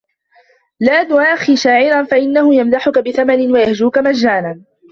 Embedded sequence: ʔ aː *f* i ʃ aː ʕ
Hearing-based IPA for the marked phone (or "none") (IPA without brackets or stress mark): x